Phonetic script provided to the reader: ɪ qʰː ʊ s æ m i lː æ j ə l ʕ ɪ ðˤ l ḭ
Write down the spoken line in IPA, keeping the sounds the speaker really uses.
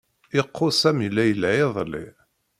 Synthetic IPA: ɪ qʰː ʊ s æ m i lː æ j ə l ʕ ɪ ðˤ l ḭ